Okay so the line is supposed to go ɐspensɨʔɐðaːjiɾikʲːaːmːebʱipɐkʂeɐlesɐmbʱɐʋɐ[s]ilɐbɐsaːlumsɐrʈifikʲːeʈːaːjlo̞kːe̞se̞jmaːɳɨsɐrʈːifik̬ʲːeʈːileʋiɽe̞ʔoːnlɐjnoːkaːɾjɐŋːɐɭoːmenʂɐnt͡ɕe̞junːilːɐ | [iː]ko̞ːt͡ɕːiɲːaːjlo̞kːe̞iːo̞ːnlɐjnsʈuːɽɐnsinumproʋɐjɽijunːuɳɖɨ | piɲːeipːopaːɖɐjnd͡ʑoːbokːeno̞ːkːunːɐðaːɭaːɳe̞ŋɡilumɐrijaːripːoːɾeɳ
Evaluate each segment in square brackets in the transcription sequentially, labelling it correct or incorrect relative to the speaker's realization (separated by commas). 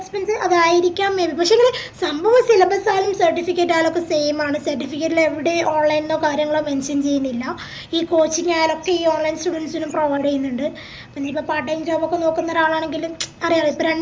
correct, correct